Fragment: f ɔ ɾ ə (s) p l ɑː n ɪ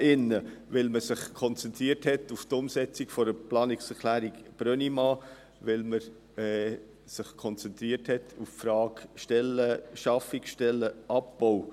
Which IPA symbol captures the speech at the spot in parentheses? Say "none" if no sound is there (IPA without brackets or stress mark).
none